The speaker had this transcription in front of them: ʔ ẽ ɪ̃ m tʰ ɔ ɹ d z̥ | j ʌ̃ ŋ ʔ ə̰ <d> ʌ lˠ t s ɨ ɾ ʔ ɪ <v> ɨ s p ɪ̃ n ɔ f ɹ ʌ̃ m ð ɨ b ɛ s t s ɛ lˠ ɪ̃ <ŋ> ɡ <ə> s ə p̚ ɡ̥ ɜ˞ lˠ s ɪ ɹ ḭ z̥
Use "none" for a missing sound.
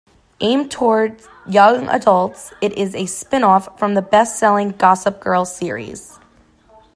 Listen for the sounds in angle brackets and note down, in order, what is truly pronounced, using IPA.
d, z, ŋ, ɑ

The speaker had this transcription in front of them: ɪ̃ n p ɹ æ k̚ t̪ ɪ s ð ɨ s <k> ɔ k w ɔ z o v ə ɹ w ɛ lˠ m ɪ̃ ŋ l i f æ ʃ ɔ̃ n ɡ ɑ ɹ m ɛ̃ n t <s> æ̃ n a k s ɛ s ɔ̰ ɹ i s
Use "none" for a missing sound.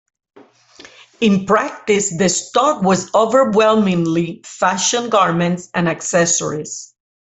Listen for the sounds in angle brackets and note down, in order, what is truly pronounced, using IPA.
t, s

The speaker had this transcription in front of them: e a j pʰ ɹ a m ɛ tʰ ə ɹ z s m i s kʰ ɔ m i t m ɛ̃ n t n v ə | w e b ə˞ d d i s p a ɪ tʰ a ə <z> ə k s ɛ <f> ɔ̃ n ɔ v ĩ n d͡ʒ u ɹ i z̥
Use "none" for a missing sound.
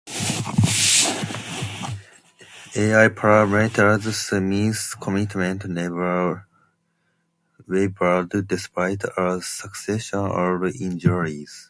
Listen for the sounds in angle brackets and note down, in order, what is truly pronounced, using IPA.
s, ʃ

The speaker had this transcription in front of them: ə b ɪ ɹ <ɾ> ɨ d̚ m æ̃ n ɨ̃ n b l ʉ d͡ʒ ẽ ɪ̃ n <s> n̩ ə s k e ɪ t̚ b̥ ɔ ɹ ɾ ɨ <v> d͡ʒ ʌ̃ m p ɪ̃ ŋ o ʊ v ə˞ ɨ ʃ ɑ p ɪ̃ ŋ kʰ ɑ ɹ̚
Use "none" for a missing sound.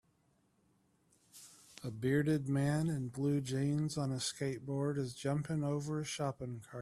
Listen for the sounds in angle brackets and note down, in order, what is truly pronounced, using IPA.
ɾ, z, z

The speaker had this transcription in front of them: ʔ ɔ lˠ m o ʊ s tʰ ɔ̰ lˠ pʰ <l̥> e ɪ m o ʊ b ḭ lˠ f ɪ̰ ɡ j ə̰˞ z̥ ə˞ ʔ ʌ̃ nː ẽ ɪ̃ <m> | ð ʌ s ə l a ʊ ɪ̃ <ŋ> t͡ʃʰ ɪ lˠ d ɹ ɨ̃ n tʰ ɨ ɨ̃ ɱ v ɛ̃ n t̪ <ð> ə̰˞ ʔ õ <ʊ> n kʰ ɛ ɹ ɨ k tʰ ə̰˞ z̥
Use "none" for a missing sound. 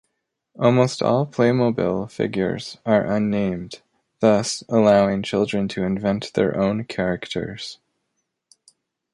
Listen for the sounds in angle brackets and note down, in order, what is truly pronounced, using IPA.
l̥, m, ŋ, ð, ʊ̃

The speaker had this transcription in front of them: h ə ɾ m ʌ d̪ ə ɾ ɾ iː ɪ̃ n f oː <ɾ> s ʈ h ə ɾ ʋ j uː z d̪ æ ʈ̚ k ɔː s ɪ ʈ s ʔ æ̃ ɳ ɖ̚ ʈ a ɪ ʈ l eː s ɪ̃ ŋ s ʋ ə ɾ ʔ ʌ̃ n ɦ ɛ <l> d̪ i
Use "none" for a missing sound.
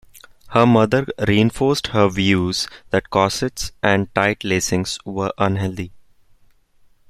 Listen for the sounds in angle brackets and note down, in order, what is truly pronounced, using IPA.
ɾ, l

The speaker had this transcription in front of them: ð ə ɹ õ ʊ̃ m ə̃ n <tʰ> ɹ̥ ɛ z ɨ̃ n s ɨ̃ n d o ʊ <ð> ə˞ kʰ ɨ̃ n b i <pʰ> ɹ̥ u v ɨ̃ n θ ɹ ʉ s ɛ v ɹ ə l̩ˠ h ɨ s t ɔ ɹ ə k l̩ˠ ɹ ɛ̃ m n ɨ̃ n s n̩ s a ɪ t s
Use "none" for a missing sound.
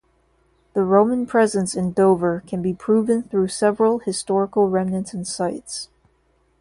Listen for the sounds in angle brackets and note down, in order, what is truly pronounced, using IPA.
pʰ, v, pʰ

